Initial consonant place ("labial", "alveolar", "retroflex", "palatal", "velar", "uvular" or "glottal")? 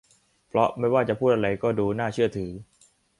labial